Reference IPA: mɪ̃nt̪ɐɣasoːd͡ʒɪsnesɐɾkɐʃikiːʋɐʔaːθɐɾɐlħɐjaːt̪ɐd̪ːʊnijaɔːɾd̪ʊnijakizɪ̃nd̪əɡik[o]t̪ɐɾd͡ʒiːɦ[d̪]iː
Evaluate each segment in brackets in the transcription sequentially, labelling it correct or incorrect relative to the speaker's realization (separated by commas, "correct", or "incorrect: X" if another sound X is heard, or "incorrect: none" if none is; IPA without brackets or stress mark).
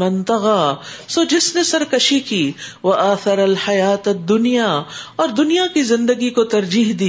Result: correct, correct